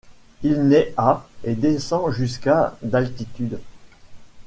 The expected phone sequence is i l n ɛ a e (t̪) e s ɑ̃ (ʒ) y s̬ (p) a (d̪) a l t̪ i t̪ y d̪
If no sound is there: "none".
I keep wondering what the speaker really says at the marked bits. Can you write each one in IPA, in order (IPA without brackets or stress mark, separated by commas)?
d̪, ʒ, k, d̪